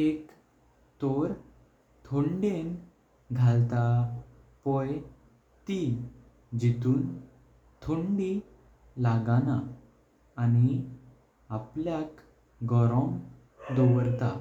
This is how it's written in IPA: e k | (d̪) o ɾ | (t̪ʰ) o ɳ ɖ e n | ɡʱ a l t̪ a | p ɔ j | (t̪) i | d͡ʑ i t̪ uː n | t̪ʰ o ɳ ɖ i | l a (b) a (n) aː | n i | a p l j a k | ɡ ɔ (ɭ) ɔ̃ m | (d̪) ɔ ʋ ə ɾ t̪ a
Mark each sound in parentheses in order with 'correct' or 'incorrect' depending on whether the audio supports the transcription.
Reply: incorrect, correct, correct, incorrect, correct, incorrect, correct

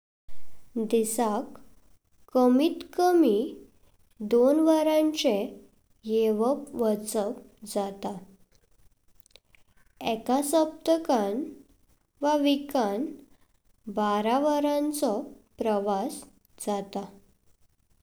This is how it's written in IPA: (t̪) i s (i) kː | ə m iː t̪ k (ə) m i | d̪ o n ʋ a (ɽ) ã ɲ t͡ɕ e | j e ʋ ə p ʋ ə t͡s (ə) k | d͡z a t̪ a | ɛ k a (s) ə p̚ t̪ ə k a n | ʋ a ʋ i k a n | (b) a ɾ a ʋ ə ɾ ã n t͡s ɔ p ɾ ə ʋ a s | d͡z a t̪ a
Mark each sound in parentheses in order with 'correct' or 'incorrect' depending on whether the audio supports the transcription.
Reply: incorrect, incorrect, correct, incorrect, correct, correct, correct

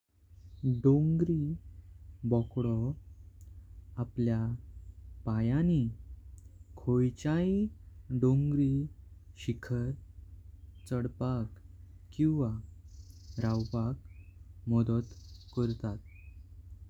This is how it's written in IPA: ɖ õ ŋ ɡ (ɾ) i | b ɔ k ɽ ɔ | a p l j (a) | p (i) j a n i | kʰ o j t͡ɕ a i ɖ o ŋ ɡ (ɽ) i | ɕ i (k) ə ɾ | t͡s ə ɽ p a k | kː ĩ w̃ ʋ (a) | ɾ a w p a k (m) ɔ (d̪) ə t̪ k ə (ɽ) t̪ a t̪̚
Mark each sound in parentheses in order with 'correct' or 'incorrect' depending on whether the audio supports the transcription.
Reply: correct, correct, incorrect, incorrect, incorrect, correct, correct, correct, incorrect

